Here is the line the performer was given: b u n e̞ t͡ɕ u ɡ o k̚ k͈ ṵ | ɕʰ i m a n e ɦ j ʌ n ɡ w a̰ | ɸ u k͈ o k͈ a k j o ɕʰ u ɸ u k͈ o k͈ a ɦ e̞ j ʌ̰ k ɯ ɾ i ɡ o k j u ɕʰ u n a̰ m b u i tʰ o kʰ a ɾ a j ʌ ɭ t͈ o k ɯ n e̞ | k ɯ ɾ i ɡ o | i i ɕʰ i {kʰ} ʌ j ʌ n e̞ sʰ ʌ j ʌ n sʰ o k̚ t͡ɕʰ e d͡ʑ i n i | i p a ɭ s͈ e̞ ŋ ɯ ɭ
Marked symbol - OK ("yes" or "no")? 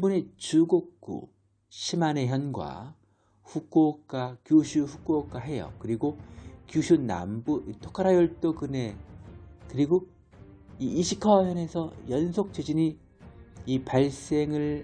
yes